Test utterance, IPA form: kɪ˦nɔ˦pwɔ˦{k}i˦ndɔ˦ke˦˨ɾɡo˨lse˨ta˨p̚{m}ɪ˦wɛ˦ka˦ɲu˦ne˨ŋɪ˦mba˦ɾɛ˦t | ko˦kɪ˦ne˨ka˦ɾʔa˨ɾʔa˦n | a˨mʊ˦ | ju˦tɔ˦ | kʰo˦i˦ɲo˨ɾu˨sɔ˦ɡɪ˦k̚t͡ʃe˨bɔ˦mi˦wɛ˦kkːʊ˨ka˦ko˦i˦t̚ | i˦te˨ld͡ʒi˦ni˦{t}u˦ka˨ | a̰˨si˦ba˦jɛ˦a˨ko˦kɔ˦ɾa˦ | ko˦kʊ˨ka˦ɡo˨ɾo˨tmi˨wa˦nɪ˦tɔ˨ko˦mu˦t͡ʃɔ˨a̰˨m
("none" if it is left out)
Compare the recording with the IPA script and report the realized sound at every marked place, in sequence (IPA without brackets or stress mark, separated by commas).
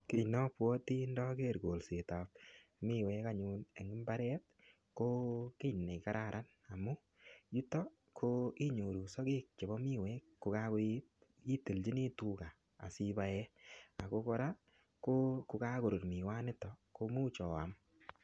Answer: t, m, t